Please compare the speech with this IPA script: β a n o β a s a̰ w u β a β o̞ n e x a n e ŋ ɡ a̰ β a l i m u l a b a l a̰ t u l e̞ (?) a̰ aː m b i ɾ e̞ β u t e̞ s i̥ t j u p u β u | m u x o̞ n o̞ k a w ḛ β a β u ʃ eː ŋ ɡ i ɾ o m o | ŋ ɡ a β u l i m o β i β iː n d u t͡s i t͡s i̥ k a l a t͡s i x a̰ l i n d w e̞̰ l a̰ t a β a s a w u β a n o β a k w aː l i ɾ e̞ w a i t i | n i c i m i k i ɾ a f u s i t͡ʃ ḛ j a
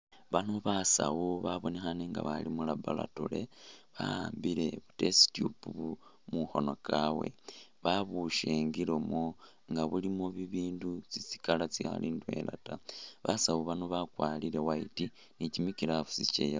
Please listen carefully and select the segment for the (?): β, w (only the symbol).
β